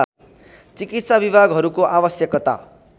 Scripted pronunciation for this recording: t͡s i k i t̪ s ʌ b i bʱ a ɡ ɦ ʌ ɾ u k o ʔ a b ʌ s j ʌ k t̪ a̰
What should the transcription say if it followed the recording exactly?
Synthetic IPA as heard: t͡s i k i t̪ s a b i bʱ a ɡ ɦ ʌ ɾ u k o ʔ a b ʌ s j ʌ k t̪ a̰